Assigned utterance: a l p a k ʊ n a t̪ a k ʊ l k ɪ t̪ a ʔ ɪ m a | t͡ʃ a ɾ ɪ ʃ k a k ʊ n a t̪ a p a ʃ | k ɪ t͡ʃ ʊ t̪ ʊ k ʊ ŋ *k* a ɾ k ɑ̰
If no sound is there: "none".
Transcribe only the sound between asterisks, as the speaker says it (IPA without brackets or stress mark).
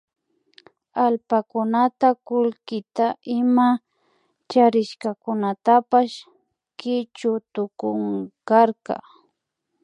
k